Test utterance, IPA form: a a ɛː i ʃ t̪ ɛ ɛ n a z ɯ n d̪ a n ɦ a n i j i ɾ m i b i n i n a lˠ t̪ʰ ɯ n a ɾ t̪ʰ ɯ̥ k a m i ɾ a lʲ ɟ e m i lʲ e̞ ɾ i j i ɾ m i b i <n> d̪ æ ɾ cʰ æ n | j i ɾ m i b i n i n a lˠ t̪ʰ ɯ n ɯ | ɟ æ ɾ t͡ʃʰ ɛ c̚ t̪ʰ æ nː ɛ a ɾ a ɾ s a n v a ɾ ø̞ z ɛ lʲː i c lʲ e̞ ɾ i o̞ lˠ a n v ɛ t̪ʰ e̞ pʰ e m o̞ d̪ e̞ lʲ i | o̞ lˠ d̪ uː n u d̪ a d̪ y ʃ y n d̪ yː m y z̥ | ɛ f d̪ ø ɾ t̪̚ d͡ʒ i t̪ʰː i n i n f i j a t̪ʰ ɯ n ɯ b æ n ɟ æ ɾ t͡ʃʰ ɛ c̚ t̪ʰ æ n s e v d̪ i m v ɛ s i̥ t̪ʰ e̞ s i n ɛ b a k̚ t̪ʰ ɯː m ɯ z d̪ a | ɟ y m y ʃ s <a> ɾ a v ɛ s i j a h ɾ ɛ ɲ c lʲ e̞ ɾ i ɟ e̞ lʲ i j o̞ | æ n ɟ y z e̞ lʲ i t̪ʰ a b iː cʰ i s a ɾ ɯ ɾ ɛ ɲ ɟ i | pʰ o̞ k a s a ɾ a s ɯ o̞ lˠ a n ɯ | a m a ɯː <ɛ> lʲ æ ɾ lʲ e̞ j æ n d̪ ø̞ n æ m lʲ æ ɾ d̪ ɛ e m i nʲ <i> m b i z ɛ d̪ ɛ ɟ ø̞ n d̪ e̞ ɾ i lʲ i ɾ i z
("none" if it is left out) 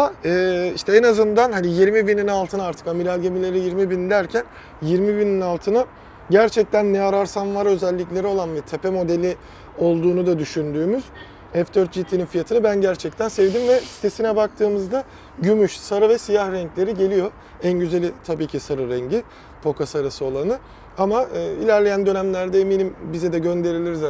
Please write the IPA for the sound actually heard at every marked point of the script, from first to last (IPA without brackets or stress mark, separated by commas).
n, a, i, i